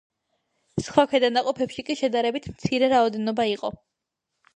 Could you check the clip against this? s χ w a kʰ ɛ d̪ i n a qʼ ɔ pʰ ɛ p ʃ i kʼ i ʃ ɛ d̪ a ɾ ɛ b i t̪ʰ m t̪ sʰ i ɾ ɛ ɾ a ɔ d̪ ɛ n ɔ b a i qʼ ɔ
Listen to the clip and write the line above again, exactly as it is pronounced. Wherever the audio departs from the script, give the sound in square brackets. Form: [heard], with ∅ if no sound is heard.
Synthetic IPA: s χ w a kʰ ɛ d̪ [a] n a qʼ ɔ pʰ ɛ p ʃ i kʼ i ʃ ɛ d̪ a ɾ ɛ b i t̪ʰ m t̪ sʰ i ɾ ɛ ɾ a ɔ d̪ ɛ n ɔ b a i qʼ ɔ